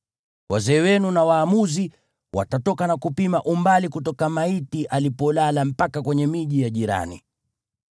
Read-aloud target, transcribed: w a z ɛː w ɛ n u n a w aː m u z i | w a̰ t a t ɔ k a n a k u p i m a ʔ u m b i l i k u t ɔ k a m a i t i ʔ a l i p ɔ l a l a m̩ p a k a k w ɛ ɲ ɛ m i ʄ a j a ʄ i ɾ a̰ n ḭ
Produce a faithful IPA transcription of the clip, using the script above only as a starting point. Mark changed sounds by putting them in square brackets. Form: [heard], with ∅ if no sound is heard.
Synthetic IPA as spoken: w a z ɛː w ɛ n u n a w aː m u z i | w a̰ t a t ɔ k a n a k u p i m a ʔ u m b [a] l i k u t ɔ k a m a i t i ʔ a l i p ɔ l a l a m̩ p a k a k w ɛ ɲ ɛ m i ʄ [i] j a ʄ i ɾ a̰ n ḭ